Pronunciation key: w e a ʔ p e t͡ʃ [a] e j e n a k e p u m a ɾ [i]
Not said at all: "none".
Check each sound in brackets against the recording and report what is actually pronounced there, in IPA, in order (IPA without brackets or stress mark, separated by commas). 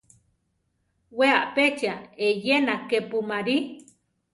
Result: a, i